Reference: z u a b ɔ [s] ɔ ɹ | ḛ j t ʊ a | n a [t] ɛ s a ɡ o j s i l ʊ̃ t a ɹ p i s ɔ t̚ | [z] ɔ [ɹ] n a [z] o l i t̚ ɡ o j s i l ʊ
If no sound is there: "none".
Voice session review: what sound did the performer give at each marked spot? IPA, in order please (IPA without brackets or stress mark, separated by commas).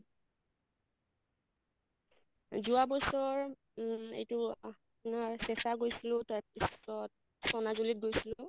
s, s, s, none, z